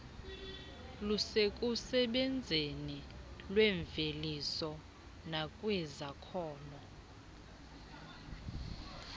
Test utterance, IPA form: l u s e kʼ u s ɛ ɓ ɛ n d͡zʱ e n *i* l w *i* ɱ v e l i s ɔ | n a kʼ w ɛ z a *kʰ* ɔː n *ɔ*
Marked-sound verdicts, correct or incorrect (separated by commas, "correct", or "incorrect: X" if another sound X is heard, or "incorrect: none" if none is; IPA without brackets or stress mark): correct, incorrect: ɛ, correct, correct